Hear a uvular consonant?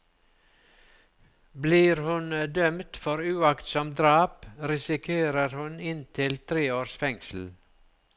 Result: no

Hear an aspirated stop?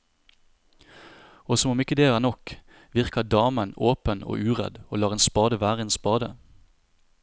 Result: no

